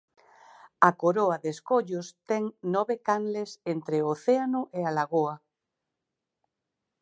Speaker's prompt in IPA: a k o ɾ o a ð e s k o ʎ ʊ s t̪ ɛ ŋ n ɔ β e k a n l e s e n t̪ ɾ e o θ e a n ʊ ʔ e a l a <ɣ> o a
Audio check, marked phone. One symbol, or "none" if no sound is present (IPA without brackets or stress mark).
ɣ